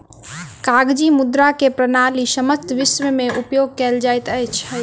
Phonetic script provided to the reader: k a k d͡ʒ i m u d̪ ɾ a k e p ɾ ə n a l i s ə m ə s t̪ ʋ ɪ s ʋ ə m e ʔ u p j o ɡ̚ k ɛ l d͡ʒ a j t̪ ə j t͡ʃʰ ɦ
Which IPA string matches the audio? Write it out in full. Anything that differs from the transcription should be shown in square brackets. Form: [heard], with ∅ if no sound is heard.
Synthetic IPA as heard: k a [ɡ] d͡ʒ i m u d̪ ɾ a k e p ɾ ə n a l i s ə m ə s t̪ ʋ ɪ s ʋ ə m e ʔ u p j o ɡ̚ k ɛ l d͡ʒ a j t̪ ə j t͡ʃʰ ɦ